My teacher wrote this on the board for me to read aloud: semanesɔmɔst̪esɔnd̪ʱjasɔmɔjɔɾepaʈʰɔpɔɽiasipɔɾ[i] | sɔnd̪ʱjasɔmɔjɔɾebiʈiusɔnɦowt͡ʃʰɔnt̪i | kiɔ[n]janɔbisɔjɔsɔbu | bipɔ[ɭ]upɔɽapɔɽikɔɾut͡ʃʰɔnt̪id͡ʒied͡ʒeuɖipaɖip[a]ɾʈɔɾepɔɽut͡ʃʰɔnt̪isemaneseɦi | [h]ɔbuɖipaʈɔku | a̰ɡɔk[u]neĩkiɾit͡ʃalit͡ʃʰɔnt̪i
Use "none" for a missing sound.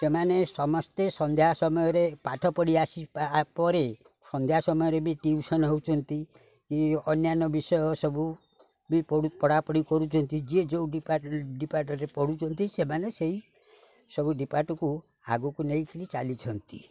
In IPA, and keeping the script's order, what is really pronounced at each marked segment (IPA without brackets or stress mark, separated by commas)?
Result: e, n, ɽ, a, s, u